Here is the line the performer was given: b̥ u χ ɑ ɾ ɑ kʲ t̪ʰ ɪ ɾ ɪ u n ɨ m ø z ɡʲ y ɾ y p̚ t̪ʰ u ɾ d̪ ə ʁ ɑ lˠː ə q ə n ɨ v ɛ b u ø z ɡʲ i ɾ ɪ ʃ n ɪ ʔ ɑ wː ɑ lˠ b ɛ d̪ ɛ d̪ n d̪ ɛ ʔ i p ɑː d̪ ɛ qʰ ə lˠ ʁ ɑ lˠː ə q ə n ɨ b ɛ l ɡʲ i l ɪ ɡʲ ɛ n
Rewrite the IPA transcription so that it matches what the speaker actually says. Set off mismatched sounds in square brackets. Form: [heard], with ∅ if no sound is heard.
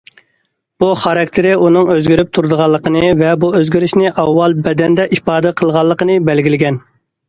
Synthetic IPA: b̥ u χ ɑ ɾ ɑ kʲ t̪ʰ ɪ ɾ ɪ u n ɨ [ŋ] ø z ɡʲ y ɾ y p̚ t̪ʰ u ɾ d̪ ə ʁ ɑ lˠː ə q ə n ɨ v ɛ b u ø z ɡʲ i ɾ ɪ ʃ n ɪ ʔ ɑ wː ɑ lˠ b ɛ d̪ ɛ [∅] n d̪ ɛ ʔ i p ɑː d̪ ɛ qʰ ə lˠ ʁ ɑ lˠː ə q ə n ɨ b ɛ l ɡʲ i l ɪ ɡʲ ɛ n